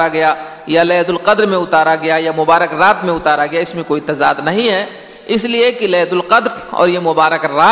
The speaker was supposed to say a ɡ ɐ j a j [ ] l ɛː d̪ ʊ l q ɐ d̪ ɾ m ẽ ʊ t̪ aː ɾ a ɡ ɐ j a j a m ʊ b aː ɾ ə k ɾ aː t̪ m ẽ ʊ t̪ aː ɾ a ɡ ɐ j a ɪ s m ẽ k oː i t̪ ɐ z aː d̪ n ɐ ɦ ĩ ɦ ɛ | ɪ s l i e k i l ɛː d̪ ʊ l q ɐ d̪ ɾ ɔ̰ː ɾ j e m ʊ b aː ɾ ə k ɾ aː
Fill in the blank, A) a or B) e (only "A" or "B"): A